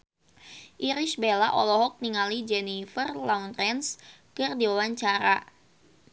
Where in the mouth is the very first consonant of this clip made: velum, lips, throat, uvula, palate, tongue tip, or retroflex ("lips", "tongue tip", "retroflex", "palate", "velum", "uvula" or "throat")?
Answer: throat